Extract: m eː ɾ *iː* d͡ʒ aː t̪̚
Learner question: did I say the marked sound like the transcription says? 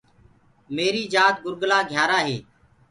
yes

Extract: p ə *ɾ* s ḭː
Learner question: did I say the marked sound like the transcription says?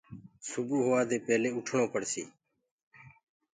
no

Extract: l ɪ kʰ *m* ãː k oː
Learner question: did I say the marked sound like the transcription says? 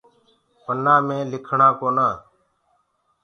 no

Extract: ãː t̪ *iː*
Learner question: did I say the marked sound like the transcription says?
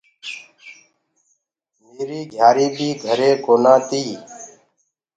yes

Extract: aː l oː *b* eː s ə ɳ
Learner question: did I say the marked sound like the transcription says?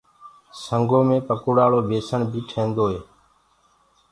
yes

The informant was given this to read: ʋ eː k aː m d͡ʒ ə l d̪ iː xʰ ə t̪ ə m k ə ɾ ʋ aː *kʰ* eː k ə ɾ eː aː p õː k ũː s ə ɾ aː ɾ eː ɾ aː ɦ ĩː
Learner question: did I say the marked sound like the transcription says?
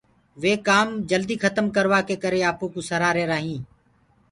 no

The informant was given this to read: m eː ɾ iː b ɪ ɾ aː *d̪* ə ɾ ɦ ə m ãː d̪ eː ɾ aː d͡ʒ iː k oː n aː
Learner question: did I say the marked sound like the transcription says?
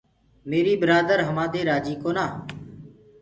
yes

